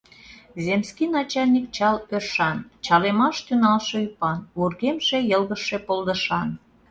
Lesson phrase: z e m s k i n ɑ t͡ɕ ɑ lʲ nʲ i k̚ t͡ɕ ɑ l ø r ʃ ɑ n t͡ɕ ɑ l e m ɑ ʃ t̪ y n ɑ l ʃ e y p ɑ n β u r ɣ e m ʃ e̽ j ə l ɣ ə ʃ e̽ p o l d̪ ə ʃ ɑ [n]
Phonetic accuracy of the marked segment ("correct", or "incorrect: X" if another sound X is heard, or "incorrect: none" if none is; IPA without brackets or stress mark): correct